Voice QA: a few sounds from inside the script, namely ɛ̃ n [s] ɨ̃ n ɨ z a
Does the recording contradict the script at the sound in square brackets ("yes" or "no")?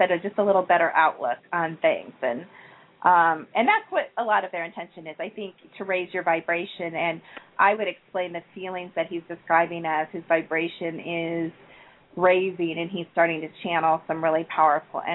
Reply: yes